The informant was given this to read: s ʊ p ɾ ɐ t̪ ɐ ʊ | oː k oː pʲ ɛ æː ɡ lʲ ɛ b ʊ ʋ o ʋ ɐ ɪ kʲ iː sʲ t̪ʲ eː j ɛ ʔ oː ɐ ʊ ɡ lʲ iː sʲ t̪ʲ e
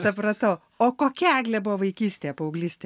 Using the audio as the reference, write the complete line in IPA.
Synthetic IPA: s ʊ p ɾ ɐ t̪ ɐ ʊ | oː k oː kʲ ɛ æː ɡ lʲ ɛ b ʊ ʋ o ʋ ɐ ɪ kʲ iː sʲ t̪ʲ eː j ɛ p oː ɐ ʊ ɡ lʲ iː sʲ t̪ʲ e